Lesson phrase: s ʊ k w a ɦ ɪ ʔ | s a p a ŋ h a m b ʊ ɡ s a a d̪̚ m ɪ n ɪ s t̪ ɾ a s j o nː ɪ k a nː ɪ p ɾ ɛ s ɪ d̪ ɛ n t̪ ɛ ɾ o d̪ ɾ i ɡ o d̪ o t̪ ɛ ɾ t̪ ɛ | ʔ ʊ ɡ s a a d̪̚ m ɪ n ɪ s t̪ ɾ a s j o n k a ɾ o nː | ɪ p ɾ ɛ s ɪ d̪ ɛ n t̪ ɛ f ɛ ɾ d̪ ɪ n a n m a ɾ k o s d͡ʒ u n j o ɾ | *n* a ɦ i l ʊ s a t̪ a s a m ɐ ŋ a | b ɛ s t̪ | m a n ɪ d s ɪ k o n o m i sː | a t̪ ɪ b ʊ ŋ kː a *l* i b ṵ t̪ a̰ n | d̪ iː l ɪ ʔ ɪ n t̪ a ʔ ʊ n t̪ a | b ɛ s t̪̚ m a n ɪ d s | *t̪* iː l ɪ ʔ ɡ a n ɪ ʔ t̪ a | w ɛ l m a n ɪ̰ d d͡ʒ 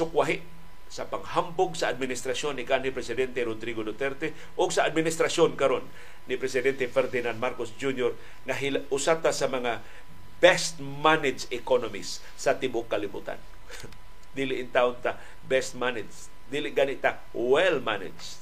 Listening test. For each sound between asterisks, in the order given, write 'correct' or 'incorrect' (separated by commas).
incorrect, correct, incorrect